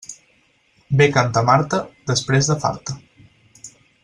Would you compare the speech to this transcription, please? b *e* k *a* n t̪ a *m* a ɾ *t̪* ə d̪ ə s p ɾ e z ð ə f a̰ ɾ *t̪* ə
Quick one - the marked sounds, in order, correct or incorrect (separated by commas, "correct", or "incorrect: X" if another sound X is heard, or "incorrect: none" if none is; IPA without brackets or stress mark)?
correct, correct, correct, correct, correct